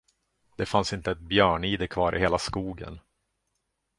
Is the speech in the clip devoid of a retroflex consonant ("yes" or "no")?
no